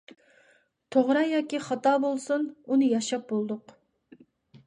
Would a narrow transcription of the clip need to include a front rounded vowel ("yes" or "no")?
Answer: no